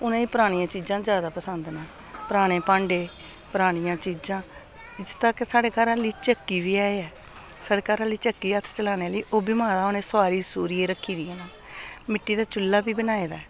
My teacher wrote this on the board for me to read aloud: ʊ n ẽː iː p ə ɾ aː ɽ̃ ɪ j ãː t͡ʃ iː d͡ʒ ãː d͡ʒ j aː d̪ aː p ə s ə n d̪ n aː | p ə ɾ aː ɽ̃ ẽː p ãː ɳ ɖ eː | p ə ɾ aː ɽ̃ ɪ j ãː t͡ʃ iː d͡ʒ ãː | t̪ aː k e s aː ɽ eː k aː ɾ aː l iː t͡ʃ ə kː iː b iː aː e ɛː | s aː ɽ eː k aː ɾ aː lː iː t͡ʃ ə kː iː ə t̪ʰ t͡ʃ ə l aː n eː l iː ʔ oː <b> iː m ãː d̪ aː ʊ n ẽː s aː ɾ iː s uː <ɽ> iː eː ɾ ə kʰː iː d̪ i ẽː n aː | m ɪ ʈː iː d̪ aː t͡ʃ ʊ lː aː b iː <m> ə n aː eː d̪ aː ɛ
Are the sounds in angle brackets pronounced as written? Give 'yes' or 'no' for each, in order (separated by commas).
yes, no, no